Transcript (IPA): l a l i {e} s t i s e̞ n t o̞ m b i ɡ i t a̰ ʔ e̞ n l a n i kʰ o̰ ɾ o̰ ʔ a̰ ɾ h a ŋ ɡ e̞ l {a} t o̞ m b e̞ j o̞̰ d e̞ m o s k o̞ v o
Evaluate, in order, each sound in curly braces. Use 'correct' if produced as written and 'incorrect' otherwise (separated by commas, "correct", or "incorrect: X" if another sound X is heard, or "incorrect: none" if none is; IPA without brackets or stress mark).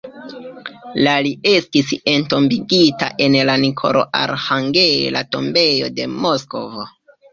correct, correct